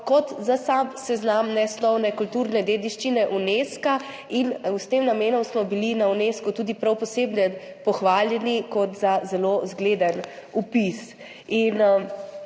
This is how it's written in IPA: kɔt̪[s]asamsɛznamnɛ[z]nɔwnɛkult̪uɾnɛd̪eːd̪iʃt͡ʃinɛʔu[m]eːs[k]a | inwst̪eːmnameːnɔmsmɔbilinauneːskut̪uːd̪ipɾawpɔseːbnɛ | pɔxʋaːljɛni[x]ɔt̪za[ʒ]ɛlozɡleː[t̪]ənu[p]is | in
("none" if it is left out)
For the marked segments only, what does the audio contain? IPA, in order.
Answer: z, s, n, k, k, z, d̪, p

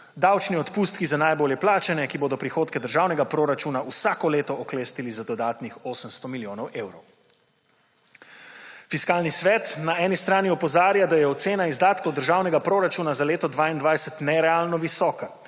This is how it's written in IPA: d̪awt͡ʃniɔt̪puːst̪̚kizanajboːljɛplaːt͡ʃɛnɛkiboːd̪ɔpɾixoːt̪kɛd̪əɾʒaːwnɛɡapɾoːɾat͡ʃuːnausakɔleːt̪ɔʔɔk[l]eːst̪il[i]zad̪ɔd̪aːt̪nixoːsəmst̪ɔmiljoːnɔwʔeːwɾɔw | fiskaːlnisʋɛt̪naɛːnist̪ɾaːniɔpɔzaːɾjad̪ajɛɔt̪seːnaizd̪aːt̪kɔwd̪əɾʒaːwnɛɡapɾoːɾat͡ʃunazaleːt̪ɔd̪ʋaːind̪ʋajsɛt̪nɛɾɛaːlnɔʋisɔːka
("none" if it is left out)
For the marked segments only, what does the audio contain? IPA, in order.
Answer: l, i

